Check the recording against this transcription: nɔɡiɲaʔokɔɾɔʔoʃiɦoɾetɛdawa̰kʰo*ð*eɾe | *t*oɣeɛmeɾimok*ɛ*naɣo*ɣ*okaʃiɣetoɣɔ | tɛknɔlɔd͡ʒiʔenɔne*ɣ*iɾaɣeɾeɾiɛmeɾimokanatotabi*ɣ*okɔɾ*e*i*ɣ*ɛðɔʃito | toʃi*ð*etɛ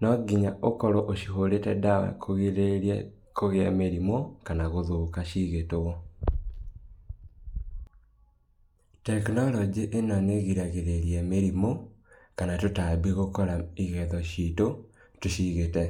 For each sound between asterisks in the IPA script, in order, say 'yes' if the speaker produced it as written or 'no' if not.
no, no, no, no, yes, yes, no, yes, no

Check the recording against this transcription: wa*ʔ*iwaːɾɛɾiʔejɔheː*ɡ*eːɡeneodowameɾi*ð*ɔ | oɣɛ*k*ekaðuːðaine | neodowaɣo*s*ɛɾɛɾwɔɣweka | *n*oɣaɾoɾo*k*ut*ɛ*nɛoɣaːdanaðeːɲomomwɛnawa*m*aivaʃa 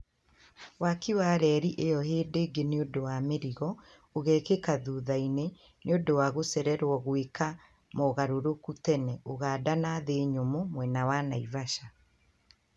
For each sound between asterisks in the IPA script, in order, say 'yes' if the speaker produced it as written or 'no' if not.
no, no, no, yes, yes, no, yes, yes, no

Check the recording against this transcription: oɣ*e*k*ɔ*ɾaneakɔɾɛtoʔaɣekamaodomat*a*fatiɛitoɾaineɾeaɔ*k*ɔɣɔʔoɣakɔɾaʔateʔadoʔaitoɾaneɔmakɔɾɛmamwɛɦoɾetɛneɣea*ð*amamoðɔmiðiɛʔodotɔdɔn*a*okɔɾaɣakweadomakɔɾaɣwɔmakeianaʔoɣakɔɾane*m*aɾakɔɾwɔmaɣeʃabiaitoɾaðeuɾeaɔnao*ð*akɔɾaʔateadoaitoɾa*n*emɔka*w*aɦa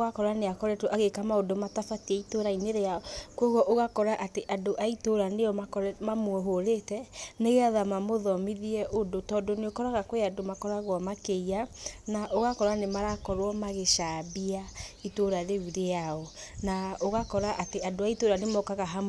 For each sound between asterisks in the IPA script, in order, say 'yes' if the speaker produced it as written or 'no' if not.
no, yes, yes, yes, yes, no, yes, no, yes, no

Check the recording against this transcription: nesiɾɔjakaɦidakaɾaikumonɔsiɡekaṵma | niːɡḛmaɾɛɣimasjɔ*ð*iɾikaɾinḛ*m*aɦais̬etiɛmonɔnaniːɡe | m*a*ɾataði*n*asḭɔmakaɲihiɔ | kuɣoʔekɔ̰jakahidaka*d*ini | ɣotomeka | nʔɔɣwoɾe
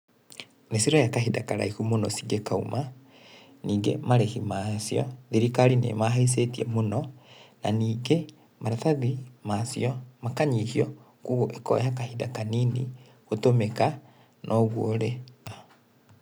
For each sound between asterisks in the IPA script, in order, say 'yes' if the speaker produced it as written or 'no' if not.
yes, yes, yes, no, no

